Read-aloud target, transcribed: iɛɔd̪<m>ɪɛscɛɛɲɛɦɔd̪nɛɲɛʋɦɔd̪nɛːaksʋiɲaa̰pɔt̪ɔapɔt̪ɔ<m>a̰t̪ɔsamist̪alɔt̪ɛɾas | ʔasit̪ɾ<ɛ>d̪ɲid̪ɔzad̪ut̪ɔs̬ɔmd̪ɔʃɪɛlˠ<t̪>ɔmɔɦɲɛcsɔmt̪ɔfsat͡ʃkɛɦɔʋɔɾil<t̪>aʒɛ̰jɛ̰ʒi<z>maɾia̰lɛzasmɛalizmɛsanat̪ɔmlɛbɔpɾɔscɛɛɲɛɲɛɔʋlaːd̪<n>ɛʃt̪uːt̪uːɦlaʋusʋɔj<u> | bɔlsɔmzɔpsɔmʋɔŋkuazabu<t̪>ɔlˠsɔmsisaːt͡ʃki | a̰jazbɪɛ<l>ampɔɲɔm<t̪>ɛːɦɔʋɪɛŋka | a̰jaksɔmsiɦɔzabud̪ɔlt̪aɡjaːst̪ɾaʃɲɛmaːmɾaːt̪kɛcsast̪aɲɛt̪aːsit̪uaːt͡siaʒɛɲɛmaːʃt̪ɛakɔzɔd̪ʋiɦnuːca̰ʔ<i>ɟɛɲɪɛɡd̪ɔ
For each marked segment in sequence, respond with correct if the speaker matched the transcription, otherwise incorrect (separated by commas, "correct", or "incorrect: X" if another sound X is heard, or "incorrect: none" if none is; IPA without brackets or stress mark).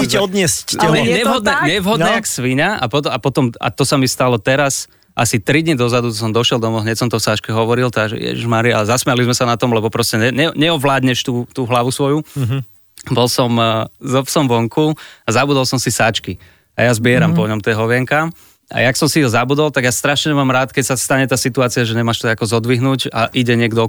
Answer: incorrect: ɲ, correct, incorrect: i, incorrect: d̪, correct, incorrect: ʒ, incorrect: ɲ, correct, incorrect: d̪, incorrect: ɾ, correct, correct